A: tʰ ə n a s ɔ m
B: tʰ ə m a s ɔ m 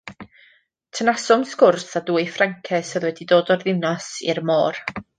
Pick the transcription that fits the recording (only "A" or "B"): A